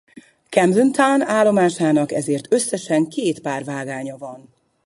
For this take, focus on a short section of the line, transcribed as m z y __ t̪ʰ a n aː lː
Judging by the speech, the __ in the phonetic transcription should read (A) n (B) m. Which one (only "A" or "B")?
A